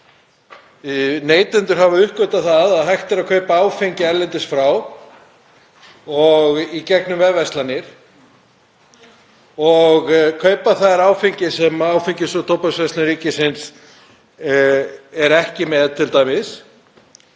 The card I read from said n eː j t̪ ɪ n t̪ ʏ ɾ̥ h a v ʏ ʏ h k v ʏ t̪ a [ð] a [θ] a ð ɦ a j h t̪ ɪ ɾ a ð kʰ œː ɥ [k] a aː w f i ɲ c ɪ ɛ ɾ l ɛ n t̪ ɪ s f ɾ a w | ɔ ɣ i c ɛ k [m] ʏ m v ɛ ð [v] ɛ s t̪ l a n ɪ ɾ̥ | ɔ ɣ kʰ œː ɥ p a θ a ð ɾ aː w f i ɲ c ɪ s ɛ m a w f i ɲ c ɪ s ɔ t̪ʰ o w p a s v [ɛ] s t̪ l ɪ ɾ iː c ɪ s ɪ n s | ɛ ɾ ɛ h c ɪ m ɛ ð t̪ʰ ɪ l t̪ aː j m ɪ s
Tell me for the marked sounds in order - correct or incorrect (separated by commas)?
incorrect, incorrect, incorrect, incorrect, correct, correct